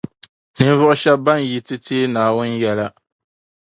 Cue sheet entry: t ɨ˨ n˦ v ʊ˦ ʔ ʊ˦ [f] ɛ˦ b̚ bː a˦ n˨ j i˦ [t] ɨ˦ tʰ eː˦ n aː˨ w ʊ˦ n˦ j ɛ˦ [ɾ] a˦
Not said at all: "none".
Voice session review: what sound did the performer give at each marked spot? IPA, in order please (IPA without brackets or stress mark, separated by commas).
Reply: ʃ, t, l